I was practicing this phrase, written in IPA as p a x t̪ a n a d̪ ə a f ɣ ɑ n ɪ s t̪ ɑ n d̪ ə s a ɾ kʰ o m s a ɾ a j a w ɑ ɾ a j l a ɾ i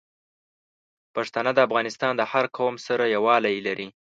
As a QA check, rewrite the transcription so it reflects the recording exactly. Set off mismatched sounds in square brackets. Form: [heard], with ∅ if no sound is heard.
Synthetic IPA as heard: p a [ʂ] t̪ a n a d̪ ə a f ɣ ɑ n ɪ s t̪ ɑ n d̪ ə [h] a ɾ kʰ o m s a ɾ a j a w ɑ [l] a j l a ɾ i